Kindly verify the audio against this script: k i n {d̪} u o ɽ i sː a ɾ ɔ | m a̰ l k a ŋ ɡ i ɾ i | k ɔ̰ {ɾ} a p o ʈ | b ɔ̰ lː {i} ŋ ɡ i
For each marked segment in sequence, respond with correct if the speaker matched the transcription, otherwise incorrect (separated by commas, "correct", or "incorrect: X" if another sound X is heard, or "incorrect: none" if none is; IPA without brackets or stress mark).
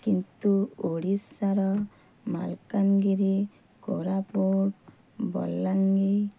incorrect: t̪, correct, incorrect: a